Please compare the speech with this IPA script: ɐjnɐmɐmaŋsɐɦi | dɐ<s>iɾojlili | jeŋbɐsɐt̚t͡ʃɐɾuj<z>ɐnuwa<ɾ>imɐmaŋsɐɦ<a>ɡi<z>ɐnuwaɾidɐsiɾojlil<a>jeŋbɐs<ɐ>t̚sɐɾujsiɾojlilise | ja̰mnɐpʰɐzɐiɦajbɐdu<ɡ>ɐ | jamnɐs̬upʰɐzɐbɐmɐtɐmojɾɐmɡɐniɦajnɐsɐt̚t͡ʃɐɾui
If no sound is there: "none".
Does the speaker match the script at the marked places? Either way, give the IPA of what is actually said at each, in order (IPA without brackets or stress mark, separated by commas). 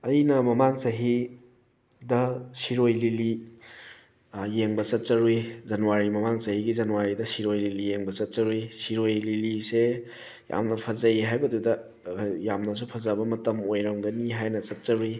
s, z, ɾ, i, z, i, ɐ, d